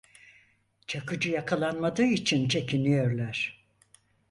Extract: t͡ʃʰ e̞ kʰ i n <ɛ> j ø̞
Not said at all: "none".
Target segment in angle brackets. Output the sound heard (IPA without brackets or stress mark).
i